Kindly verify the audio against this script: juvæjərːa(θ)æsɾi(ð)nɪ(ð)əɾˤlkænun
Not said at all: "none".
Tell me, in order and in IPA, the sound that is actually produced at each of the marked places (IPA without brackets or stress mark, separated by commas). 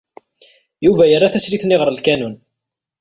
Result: θ, θ, ʁ